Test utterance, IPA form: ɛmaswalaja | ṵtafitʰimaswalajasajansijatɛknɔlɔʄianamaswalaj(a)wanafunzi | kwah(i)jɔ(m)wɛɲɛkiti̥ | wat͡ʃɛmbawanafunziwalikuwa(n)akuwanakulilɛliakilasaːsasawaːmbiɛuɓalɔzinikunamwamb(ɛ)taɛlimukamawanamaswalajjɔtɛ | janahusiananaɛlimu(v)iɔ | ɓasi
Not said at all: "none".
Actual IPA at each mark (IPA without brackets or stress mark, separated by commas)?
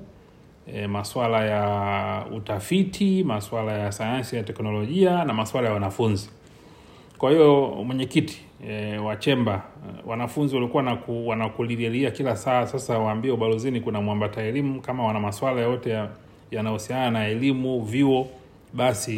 a, i, m, n, a, v